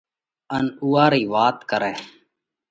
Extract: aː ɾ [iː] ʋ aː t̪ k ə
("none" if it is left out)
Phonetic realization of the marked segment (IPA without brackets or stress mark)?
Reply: iː